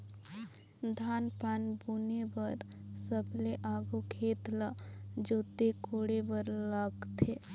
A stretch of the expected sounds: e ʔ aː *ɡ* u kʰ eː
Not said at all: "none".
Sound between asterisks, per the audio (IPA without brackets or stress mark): ɡ